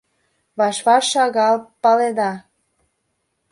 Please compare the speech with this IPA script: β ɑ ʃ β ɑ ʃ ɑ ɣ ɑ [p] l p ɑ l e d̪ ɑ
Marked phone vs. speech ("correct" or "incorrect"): incorrect